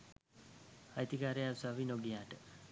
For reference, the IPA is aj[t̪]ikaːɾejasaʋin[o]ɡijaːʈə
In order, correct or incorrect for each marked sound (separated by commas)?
correct, correct